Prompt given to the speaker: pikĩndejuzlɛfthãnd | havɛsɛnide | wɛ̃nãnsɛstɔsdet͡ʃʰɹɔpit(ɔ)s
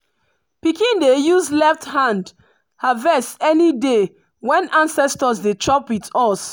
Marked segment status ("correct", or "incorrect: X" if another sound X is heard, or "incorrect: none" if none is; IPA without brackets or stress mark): correct